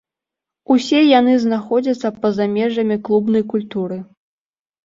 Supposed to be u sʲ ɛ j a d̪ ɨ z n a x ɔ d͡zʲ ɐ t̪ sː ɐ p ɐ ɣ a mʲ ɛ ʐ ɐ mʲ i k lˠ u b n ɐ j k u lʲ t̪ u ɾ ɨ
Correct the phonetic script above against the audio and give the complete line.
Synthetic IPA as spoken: u sʲ ɛ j a n̪ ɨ z n a x ɔ d͡zʲ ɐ t̪ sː ɐ p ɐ z a mʲ ɛ ʐ ɐ mʲ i k lˠ u b n ɐ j k u lʲ t̪ u ɾ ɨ